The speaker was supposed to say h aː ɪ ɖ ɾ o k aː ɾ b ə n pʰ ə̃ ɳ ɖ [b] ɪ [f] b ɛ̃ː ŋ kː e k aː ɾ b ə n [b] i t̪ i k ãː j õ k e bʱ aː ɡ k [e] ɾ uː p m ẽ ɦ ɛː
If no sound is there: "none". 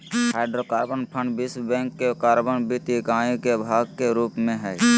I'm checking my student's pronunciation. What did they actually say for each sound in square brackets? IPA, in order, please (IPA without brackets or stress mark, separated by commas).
b, s, b, e